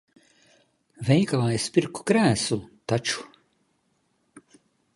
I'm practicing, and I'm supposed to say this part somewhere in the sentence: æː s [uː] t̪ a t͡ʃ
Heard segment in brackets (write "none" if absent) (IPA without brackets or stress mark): u